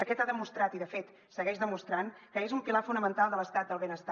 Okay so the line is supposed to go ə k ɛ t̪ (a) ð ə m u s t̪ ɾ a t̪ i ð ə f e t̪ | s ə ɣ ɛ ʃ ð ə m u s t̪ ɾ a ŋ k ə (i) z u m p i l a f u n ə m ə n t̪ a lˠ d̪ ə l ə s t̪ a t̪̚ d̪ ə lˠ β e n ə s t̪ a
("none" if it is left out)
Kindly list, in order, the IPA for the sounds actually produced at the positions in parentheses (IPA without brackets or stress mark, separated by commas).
a, e